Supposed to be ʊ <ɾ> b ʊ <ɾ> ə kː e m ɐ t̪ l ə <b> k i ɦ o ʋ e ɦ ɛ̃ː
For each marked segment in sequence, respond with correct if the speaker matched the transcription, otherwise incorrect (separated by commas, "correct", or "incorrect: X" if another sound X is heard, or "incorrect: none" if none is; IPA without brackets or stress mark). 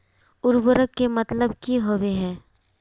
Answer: correct, correct, correct